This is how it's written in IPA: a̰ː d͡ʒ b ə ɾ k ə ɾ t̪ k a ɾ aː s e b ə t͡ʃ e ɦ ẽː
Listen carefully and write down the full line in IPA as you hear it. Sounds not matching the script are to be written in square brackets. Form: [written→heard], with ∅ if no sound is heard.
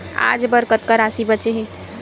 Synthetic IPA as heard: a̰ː d͡ʒ b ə ɾ k ə [ɾ→∅] t̪ k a ɾ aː s [e→i] b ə t͡ʃ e ɦ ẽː